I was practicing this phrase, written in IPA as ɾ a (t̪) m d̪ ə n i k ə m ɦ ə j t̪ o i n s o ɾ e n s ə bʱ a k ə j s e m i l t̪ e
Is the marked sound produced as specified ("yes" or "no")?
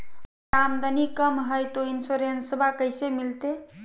no